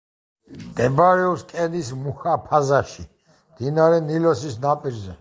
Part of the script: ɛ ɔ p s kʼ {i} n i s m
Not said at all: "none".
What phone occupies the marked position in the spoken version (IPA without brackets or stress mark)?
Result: ɛ